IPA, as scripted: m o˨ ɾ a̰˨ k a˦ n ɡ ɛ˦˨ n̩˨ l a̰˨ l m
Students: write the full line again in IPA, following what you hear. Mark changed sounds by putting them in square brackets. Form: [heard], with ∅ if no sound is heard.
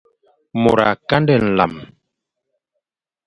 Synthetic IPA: m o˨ ɾ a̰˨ k a˦ n [d] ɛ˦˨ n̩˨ l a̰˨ [∅] m